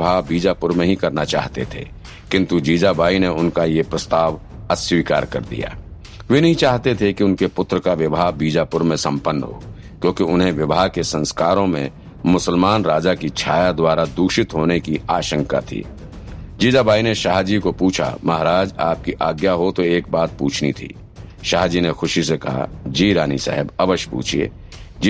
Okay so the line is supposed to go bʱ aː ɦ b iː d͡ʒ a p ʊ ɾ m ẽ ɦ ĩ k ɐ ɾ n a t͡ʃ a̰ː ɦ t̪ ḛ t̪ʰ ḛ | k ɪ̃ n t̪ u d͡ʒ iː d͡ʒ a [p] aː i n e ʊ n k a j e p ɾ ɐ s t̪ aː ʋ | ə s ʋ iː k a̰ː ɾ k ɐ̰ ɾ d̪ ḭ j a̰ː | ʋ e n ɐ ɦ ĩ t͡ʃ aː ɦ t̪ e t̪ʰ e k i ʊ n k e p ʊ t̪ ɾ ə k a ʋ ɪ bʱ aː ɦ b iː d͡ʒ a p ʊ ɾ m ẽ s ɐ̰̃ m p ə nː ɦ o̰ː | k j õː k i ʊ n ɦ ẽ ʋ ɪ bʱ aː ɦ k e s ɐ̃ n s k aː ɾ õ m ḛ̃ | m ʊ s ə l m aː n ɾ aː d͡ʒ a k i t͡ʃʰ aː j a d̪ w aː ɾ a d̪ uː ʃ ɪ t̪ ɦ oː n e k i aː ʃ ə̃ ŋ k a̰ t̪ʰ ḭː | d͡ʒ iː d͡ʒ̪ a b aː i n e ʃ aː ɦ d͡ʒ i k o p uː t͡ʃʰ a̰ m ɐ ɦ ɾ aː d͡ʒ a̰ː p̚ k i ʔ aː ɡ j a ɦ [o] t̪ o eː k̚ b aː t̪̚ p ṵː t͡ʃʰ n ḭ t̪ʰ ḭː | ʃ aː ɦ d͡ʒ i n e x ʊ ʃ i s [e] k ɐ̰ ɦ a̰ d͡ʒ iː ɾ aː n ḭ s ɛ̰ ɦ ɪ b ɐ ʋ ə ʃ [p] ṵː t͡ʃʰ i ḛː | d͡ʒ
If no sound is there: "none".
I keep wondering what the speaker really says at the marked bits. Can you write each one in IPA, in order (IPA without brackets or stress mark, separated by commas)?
b, o, e, p